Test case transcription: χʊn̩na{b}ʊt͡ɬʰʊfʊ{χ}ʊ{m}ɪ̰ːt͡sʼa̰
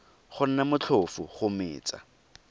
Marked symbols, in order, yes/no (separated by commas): no, yes, yes